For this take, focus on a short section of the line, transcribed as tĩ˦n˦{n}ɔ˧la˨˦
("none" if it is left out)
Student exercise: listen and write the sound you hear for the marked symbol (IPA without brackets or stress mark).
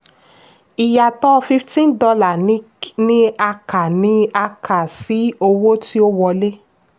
d